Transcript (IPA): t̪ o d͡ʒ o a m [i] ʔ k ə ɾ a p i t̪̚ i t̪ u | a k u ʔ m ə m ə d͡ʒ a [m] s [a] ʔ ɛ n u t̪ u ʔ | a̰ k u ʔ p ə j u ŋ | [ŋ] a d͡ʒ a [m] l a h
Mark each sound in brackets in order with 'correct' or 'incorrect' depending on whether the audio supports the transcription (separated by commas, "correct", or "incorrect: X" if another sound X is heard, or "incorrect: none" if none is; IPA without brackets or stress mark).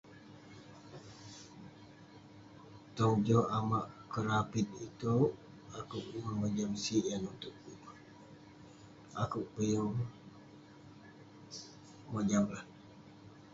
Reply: incorrect: a, correct, incorrect: i, incorrect: m, correct